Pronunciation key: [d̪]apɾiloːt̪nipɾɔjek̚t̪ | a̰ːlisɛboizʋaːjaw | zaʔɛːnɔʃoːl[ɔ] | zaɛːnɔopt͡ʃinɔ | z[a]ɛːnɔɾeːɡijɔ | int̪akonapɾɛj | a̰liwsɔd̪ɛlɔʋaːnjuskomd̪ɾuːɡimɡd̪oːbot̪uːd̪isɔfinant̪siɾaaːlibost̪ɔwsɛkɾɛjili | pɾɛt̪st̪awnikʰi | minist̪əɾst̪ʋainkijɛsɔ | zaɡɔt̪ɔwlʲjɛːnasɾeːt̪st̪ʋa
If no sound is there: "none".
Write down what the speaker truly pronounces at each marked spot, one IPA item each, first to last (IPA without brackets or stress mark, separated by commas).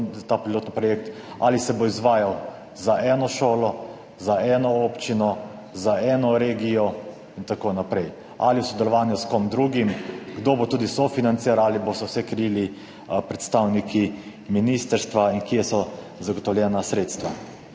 t̪, ɔ, a